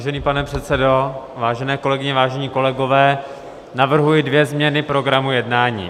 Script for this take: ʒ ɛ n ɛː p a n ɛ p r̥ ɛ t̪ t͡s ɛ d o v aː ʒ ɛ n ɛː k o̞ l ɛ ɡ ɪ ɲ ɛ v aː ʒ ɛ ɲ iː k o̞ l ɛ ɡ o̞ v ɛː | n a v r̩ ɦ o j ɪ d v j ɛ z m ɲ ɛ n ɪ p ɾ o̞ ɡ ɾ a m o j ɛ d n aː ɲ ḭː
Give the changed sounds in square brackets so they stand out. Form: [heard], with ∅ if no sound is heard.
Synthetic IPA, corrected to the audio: ʒ ɛ n [iː] p a n ɛ p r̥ ɛ t̪ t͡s ɛ d o v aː ʒ ɛ n ɛː k o̞ l ɛ ɡ ɪ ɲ ɛ v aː ʒ ɛ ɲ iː k o̞ l ɛ ɡ o̞ v ɛː | n a v r̩ ɦ [u] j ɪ d v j ɛ z m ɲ ɛ n ɪ p ɾ o̞ ɡ ɾ a m [u] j ɛ d n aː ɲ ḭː